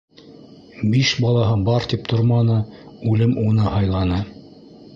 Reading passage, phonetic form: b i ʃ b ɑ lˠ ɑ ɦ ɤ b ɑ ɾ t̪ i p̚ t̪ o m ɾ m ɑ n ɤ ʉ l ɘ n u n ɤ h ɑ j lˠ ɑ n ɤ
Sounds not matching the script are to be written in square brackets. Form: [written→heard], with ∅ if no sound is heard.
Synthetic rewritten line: b i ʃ b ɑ lˠ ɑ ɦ ɤ b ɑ ɾ t̪ i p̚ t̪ o [m→∅] ɾ m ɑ n ɤ ʉ l ɘ [n→m] u n ɤ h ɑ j lˠ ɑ n ɤ